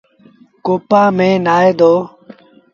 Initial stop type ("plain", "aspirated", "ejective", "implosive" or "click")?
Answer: plain